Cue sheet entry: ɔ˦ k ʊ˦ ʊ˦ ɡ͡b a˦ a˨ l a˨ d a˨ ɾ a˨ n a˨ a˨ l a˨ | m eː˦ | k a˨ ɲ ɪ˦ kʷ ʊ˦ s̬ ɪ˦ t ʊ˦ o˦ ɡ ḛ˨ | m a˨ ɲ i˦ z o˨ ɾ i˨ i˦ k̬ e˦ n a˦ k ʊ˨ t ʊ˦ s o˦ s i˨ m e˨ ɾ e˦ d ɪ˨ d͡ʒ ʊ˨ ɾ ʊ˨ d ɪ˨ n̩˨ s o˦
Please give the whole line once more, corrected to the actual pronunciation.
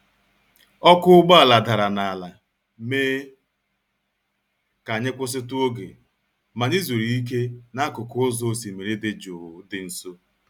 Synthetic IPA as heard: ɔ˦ k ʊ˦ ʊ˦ ɡ͡b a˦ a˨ l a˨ d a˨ ɾ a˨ n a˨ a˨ l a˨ | m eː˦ | k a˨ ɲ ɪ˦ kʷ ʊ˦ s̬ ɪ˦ t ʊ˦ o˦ ɡ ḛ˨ | m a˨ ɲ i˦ z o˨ ɾ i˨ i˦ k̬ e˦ n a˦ k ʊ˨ k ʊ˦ z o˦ s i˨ m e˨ ɾ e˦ d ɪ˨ d͡ʒ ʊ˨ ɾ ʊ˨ d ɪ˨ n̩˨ s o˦